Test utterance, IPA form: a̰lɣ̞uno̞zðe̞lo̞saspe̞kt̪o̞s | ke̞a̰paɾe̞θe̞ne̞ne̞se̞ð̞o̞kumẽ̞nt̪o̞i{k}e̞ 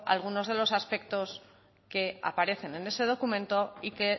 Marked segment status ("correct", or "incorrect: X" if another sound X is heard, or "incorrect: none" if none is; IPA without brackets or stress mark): correct